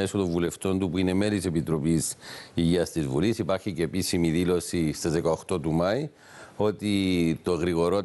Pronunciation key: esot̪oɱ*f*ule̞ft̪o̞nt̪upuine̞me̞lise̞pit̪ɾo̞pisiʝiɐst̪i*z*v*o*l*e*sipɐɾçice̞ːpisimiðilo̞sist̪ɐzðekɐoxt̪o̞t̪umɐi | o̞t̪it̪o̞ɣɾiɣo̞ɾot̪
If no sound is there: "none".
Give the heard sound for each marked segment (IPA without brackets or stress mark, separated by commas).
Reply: v, z, u, i